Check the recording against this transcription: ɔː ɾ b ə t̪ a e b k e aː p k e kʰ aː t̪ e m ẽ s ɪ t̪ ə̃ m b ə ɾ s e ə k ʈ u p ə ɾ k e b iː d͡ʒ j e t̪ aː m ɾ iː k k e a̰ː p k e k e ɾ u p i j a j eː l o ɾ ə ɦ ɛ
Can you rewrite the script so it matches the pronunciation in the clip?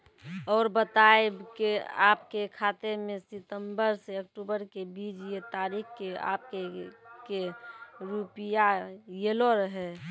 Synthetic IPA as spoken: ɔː ɾ b ə t̪ a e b k e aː p k e kʰ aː t̪ e m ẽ s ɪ t̪ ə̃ m b ə ɾ s e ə k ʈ u b ə ɾ k e b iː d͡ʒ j e t̪ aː ɾ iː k k e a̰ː p k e k e ɾ u p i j a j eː l o ɾ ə ɦ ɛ